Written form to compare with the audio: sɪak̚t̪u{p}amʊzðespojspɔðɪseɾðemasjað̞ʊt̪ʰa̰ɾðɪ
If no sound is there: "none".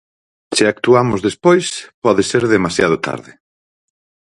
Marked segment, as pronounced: none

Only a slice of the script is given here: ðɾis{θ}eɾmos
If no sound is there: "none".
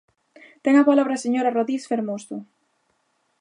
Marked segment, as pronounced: f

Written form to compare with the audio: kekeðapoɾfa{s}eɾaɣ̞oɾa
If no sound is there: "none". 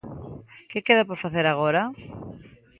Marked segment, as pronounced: θ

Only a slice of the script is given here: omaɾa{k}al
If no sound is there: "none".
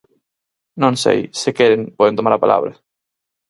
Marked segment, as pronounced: p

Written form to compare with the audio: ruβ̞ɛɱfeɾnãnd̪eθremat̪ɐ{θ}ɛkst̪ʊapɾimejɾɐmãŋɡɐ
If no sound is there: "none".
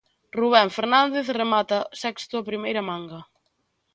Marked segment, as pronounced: s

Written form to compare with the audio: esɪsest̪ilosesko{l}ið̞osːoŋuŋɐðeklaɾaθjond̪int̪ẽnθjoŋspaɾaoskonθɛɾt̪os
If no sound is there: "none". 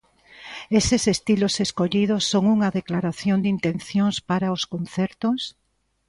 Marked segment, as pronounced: ʎ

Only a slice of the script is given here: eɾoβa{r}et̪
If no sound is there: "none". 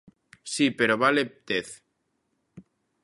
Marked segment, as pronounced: l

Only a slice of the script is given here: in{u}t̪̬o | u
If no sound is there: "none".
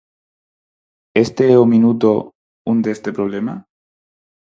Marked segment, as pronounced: u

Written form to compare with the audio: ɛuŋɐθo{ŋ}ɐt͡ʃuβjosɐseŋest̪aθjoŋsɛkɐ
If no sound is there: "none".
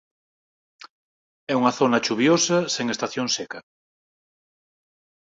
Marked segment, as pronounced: n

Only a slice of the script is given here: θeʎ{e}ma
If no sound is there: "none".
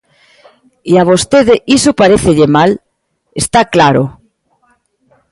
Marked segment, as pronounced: e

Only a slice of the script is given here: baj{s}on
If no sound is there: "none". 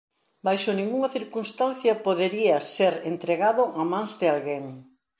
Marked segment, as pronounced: ʃ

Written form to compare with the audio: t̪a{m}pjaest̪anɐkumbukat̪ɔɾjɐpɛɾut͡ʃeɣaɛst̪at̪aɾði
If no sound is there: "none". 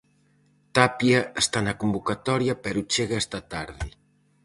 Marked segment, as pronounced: none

